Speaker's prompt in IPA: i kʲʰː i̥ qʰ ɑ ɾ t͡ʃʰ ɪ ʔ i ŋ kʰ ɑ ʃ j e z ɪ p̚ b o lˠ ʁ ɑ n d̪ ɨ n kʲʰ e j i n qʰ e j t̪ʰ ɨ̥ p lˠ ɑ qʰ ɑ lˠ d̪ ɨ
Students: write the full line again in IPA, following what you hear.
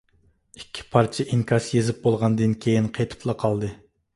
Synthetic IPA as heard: i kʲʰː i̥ pʰ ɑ ɾ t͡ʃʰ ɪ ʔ i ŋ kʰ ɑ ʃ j e z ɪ p̚ b o lˠ ʁ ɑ n d̪ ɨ n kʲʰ e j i n qʰ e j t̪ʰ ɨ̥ p lˠ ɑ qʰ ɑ lˠ d̪ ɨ